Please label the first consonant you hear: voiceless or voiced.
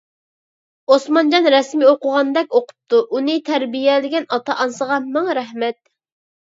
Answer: voiceless